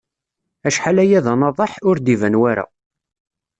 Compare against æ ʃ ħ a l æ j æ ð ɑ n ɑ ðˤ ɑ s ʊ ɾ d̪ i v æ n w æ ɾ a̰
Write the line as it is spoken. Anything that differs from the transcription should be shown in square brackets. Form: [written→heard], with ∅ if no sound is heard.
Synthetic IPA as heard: æ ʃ ħ a l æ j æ ð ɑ n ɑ ðˤ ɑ [s→ħ] ʊ ɾ d̪ i v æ n w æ ɾ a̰